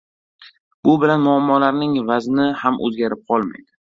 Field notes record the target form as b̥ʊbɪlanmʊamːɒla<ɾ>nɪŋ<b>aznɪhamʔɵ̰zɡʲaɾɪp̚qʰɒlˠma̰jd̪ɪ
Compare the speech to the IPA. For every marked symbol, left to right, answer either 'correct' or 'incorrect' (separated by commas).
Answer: correct, incorrect